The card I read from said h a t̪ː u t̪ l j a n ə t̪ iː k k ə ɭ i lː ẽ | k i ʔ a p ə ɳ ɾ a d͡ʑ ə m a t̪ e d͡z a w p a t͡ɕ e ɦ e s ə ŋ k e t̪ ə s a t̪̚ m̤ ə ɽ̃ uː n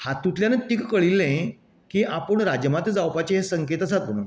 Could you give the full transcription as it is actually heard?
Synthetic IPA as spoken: h a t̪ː u t̪ l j a n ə t̪ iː k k ə ɭ i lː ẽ | k i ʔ a p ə ɳ ɾ a d͡ʑ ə m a t̪ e d͡z a w p a t͡ɕ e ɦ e s ə ŋ k e t̪ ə s a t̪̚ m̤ ə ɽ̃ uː n